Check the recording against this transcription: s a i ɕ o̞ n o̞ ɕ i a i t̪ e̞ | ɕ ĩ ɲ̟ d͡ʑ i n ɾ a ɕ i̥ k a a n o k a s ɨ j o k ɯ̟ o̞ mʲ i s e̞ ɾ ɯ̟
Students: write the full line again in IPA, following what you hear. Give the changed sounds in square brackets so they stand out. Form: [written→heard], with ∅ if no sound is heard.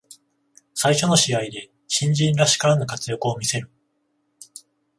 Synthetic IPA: s a i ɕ o̞ n o̞ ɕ i a i [t̪→d̪] e̞ | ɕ ĩ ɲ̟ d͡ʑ [i→ĩ] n ɾ a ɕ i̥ k a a n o k a [s→t͡s] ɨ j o k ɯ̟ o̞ mʲ i s e̞ ɾ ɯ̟